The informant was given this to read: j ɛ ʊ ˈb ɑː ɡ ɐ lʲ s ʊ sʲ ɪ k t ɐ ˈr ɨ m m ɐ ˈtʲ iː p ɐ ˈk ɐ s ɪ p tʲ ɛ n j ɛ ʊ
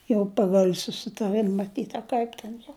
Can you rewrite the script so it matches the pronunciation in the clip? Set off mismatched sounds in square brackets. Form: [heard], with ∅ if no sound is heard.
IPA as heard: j ɛ ʊ [ˈp] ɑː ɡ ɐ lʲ s ʊ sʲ ɪ [∅] t ɐ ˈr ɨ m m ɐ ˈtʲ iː [t] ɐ ˈk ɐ [∅] ɪ p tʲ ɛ n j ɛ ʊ